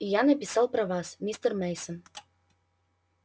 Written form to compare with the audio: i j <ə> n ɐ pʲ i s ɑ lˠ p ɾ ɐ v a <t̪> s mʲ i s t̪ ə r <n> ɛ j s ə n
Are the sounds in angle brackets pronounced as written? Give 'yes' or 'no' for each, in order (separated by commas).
no, no, no